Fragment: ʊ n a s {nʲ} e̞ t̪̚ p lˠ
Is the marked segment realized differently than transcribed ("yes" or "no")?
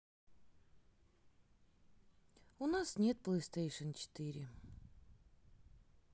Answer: no